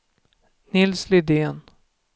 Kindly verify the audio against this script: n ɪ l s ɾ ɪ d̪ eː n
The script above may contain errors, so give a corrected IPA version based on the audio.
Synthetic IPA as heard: n ɪ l s l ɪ d̪ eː n